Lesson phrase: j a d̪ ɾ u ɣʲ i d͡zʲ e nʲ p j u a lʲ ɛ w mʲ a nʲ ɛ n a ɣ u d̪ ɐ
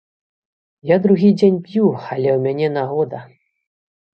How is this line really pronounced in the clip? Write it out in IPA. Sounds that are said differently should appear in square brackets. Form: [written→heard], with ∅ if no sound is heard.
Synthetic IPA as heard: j a d̪ ɾ u ɣʲ i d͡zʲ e nʲ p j u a lʲ ɛ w mʲ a nʲ ɛ n a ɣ [u→ɔ] d̪ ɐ